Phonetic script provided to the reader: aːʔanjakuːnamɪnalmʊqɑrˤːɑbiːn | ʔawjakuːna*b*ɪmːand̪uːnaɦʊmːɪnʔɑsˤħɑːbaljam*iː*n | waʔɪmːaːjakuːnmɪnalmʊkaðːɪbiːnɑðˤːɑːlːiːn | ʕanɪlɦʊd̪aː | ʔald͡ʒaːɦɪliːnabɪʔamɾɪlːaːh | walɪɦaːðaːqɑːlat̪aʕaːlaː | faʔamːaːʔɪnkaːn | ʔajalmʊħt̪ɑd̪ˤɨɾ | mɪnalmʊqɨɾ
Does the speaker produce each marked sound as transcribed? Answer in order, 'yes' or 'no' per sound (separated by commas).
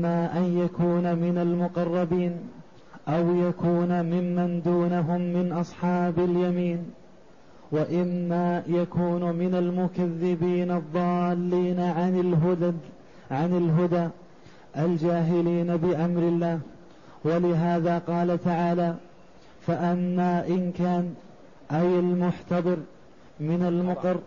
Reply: no, yes